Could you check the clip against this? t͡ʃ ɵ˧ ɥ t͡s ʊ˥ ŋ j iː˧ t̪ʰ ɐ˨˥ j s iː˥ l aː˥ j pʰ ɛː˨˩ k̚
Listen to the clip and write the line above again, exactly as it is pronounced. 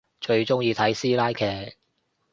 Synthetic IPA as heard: t͡ʃ ɵ˧ ɥ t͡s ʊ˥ ŋ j iː˧ t̪ʰ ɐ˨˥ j s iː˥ l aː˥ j kʰ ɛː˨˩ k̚